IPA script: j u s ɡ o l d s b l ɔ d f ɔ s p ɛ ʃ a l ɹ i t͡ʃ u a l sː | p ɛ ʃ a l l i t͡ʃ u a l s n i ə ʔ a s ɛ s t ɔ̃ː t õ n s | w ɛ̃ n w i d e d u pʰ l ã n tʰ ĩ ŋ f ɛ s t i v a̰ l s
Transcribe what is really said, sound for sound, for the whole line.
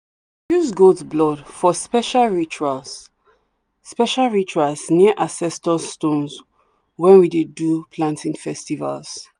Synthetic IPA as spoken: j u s ɡ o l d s b l ɔ d f ɔ s p ɛ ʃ a l ɹ i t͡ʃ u a l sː | p ɛ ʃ a l ɹ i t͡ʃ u a l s n i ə ʔ a s ɛ s t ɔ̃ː t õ n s | w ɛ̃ n w i d e d u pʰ l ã n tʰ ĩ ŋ f ɛ s t i v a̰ l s

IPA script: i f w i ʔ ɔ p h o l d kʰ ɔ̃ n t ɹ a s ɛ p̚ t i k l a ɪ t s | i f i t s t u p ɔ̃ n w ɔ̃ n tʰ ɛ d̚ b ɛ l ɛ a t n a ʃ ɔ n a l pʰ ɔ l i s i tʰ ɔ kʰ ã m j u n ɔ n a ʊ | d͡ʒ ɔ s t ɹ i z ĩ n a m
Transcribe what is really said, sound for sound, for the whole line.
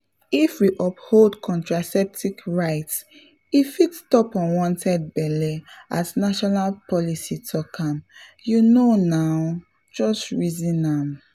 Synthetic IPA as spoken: i f w i ʔ ɔ p h o l d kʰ ɔ̃ n t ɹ a s ɛ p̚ t i k ɹ a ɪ t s | i f i t s t ɔ p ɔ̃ n w ɔ̃ n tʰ ɛ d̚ b ɛ l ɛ a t n a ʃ ɔ n a l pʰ ɔ l i s i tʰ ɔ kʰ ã m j u n o n a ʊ | d͡ʒ ɔ s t ɹ i z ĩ n a m

